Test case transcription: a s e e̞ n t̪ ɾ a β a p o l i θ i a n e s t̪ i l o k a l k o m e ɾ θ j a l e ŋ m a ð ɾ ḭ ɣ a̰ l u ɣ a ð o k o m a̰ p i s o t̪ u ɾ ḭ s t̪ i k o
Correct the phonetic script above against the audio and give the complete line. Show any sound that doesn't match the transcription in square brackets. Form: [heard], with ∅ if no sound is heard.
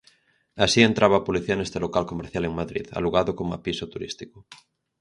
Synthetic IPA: a s [i] e̞ n t̪ ɾ a β a p o l i θ i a n e s t̪ [e] l o k a l k o m e ɾ θ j a l e ŋ m a ð ɾ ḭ [ð] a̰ l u ɣ a ð o k o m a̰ p i s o t̪ u ɾ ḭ s t̪ i k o